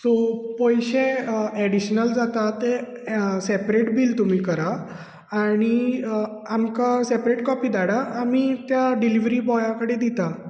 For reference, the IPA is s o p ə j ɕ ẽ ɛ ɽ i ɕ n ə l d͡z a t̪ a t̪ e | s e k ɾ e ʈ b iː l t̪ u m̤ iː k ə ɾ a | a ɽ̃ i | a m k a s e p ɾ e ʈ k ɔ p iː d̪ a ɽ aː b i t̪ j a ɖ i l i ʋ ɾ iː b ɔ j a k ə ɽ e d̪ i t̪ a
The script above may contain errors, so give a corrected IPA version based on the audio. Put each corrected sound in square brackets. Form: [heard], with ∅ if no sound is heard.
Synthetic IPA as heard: s o p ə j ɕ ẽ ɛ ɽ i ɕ n ə l d͡z a t̪ a t̪ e | s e [p] ɾ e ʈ b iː l t̪ u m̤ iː k ə ɾ a | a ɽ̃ i | a m k a s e p ɾ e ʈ k ɔ p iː d̪ a ɽ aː [m] i t̪ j a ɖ i l i ʋ ɾ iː b ɔ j a k ə ɽ e d̪ i t̪ a